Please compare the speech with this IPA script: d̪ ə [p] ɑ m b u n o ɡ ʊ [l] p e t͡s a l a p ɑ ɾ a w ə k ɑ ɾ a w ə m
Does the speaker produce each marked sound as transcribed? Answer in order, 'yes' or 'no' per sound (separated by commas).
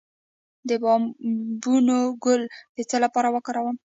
no, yes